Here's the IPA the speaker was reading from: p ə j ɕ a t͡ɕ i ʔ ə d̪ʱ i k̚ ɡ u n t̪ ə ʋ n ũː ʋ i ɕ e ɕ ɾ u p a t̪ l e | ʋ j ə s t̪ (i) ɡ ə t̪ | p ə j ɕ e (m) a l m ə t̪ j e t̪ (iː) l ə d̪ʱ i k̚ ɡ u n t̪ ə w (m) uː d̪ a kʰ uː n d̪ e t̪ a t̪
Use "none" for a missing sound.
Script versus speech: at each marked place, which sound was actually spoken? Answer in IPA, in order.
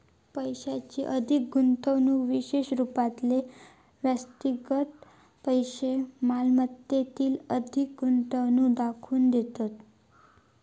i, m, iː, n

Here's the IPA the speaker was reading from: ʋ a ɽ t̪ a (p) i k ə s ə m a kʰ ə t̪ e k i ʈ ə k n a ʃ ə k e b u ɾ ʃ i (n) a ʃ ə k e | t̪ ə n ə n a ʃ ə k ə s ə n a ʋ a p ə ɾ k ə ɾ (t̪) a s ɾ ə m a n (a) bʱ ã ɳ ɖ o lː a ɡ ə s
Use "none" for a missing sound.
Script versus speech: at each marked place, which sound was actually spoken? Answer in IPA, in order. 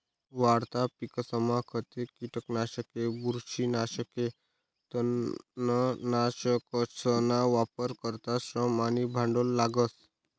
p, n, t̪, i

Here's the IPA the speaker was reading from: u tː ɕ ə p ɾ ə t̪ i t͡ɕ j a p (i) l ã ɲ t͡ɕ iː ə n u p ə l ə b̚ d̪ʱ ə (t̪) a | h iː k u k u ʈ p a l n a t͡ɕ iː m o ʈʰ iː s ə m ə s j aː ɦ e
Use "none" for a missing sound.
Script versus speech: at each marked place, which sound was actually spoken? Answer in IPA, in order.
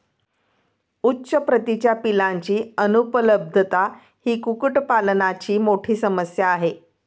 i, t̪

